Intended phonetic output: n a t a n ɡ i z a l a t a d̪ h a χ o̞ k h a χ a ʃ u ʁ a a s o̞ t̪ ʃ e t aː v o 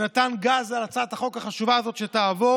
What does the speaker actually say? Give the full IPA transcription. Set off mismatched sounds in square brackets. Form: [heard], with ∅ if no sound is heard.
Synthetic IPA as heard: n a t a n ɡ [a] z a l a [t͡s] a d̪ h a χ o̞ k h a χ a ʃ u [v] a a [z] o̞ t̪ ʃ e t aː v o